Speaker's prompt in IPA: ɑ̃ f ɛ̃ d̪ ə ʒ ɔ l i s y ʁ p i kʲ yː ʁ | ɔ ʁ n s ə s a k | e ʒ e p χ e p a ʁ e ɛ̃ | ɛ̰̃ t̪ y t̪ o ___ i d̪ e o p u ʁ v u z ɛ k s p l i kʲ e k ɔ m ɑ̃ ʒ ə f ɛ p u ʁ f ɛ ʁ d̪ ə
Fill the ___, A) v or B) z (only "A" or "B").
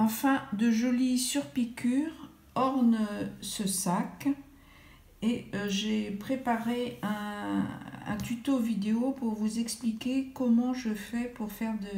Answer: A